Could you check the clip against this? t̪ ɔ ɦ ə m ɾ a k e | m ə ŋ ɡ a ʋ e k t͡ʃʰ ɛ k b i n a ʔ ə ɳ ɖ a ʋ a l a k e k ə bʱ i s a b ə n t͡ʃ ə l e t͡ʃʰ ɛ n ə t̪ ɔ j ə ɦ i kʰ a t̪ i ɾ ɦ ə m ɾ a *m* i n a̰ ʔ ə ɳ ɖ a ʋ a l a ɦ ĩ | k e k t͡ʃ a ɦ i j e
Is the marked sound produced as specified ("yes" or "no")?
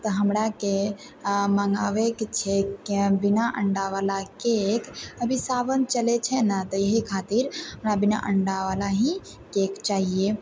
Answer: no